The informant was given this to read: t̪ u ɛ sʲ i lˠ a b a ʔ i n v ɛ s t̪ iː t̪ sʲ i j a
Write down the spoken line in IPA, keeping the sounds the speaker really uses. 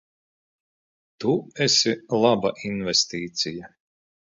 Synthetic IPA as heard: t̪ u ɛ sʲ i lˠ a b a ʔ i n v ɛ s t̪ iː t̪ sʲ i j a